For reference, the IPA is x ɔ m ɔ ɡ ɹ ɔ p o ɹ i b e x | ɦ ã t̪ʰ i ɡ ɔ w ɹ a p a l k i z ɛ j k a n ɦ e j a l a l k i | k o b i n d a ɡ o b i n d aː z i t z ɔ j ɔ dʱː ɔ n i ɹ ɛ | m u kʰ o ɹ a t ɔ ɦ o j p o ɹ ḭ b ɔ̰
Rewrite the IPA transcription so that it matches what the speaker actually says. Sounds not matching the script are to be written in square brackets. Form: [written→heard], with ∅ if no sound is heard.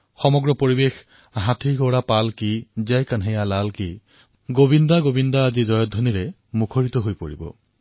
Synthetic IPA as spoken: x ɔ m ɔ ɡ ɹ ɔ p o ɹ i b e x | ɦ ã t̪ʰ i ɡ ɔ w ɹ a p a l k i z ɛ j k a n ɦ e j a l a l k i | [k→ɡ] o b i n d a ɡ o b i n d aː z i [t→∅] z ɔ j ɔ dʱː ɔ n i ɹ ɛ | m u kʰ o ɹ [a→i] t ɔ ɦ o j p o ɹ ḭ b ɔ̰